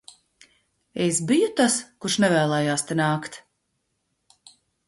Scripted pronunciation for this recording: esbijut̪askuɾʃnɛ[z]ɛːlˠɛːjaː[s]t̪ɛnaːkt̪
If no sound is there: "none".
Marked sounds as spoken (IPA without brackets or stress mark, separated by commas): v, s